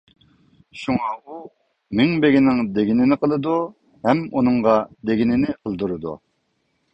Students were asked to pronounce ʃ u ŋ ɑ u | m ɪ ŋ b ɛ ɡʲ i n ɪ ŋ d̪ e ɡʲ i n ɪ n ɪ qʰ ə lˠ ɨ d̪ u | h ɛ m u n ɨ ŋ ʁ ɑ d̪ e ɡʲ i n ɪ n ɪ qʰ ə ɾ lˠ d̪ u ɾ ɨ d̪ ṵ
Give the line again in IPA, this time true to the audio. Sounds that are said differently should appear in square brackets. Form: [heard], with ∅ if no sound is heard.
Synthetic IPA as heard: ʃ u ŋ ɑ u | m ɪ ŋ b [e] ɡʲ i n ɪ ŋ d̪ e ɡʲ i n ɪ n ɪ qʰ ə lˠ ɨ d̪ u | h ɛ m u n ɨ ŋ ʁ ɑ d̪ e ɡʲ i n ɪ n ɪ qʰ ə [∅] lˠ d̪ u ɾ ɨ d̪ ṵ